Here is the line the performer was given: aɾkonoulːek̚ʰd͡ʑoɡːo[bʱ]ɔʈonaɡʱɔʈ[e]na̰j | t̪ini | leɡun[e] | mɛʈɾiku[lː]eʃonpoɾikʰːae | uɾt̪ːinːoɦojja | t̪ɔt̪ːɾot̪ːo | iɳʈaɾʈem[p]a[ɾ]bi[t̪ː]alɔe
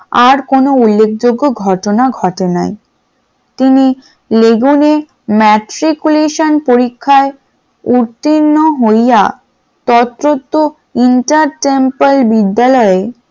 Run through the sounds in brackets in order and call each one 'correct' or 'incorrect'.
incorrect: ɡʱ, correct, correct, incorrect: l, correct, incorrect: l, incorrect: d̪ː

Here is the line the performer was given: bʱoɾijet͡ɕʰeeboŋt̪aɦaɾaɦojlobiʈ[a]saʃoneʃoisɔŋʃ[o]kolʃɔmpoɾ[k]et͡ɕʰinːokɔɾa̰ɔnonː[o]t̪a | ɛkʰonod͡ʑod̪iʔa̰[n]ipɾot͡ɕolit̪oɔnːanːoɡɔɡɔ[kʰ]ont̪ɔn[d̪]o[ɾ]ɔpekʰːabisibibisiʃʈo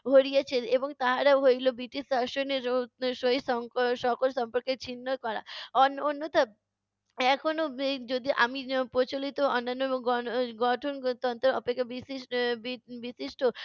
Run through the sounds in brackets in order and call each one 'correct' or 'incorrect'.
incorrect: i, incorrect: ɔ, correct, correct, incorrect: m, incorrect: ʈʰ, incorrect: t̪, correct

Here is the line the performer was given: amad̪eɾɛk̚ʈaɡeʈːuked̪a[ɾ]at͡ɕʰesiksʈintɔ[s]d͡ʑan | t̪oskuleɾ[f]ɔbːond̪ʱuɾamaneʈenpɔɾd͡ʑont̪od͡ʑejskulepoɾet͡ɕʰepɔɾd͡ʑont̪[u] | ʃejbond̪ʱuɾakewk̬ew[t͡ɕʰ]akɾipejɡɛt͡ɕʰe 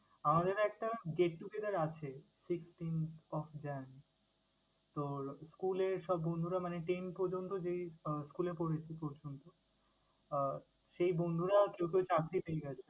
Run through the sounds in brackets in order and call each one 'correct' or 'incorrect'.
correct, incorrect: f, incorrect: ʃ, incorrect: o, incorrect: t͡ɕ

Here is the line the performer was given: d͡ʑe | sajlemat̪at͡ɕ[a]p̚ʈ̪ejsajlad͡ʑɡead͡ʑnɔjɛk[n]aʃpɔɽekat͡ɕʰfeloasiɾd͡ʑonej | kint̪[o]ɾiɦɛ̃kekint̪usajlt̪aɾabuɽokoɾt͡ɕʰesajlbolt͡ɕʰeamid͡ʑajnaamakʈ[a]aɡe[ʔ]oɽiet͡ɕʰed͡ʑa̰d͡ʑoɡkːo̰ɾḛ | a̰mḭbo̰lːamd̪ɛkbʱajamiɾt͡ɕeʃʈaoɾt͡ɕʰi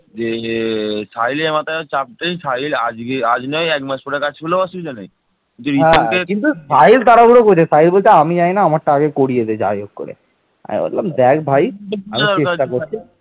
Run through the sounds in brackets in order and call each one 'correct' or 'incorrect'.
correct, incorrect: m, incorrect: u, correct, incorrect: k

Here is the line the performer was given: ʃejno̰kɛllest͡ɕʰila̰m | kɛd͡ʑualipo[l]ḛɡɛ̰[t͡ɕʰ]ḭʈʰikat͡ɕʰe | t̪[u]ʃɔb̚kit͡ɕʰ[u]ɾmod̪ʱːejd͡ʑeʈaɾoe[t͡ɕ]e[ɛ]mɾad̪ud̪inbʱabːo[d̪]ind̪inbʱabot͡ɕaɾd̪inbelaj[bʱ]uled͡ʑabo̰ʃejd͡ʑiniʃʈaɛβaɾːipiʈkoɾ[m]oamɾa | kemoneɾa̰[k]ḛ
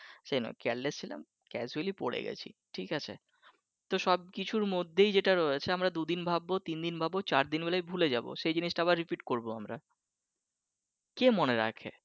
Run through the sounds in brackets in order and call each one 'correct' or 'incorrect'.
incorrect: ɽ, correct, incorrect: o, correct, incorrect: t͡ɕʰ, incorrect: a, incorrect: t̪, correct, incorrect: b, incorrect: kʰ

